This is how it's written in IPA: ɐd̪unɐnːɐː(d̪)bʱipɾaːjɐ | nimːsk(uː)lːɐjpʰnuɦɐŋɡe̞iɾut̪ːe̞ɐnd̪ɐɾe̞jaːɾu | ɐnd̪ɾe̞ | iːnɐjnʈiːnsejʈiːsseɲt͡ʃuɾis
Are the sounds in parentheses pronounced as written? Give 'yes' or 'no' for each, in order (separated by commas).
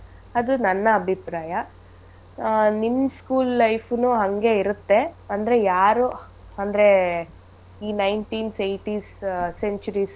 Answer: no, yes